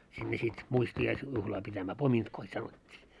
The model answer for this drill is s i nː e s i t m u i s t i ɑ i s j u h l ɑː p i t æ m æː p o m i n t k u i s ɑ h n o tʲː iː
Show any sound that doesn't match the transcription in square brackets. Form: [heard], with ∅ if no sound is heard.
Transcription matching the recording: s i nː e s i t m u i s t i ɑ i s j u h l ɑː p i t æ m æː p o m i n t k [o] i s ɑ [∅] n o tʲː iː

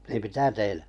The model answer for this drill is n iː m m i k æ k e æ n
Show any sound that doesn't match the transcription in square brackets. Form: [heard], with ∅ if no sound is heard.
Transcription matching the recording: n iː m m i [t] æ [t] e [i] n

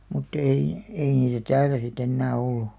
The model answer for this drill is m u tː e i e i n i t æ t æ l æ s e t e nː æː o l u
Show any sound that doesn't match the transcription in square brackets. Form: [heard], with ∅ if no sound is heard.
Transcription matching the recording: m u tː e i e i n [iː] t æ t [æː] l æ s [i] t e nː æː o [lː] u

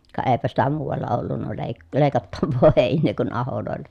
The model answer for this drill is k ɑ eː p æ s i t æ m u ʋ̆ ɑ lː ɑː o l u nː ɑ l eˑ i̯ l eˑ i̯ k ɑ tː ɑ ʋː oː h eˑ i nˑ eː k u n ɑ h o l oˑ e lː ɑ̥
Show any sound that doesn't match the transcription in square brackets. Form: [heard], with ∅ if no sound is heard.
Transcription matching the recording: k ɑ eː p æ s i t æ m [uː] ʋ̆ ɑ lː [ɑ] o [lː] u nː ɑ l eˑ i̯ l eˑ i̯ k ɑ tː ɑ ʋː oː h eˑ i nˑ eː k u n ɑ h o l oˑ e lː ɑ̥

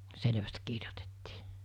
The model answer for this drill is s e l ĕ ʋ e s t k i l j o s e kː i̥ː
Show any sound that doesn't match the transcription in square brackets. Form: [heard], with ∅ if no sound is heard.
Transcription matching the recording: s e l ĕ ʋ [æ] s t k i [r] j o [t] e [tː] i̥ː

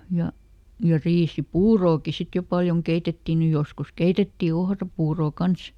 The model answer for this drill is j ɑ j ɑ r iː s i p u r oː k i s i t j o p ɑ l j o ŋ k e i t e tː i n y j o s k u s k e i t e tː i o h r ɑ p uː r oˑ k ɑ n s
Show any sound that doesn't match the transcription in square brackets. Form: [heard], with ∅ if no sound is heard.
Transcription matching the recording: j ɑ j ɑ r iː s i p [uː] r oː k i s i t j o p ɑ l j o ŋ k e i t e tː i n y j o s k u s k e i t e tː i o h r ɑ p uː r oˑ k ɑ n s

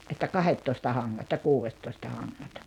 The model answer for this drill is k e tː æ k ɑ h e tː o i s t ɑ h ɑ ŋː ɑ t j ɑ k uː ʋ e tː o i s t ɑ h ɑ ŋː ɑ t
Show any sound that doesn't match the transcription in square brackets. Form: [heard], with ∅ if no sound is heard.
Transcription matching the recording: [ʔ] e tː æ k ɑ h e tː o i s t ɑ h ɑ ŋː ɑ t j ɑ k uː ʋ e tː o i s t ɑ h ɑ ŋː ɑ t

